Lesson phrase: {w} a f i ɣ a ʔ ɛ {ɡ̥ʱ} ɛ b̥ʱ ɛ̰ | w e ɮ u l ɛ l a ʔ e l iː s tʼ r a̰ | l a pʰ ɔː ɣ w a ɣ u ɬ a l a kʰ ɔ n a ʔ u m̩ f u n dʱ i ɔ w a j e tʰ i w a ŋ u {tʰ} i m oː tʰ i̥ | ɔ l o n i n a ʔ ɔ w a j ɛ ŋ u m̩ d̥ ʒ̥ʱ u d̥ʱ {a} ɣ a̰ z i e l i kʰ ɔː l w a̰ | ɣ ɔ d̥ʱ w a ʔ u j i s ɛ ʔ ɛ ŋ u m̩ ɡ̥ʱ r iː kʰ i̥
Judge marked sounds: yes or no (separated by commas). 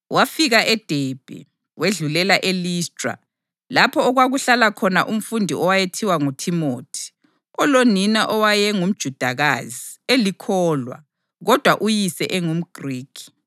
yes, no, yes, yes